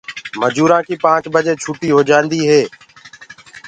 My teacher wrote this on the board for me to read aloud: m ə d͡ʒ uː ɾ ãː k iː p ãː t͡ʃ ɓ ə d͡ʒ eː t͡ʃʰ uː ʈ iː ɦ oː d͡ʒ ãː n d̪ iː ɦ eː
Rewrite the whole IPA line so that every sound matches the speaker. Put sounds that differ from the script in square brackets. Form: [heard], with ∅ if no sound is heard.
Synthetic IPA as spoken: m ə d͡ʒ uː ɾ ãː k iː p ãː t͡ʃ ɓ ə d͡ʒ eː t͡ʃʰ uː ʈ iː ɦ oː d͡ʒ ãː n d̪ iː ɦ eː